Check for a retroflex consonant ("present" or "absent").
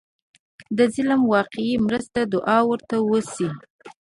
absent